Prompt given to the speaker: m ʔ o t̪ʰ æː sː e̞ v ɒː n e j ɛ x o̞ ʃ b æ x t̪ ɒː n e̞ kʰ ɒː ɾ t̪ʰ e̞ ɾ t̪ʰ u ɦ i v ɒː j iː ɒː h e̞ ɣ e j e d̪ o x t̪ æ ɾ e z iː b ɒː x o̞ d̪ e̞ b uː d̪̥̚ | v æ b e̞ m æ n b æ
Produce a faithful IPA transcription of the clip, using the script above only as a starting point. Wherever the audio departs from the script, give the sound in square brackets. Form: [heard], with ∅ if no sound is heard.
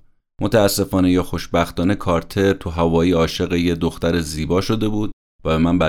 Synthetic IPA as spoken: m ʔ o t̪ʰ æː sː e̞ [f] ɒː n e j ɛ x o̞ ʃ b æ x t̪ ɒː n e̞ kʰ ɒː ɾ t̪ʰ e̞ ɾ t̪ʰ u ɦ [æ] v ɒː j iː ɒː [ʃ] e̞ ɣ e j e d̪ o x t̪ æ ɾ e z iː b ɒː [ʃ] o̞ d̪ e̞ b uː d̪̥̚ | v æ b e̞ m æ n b æ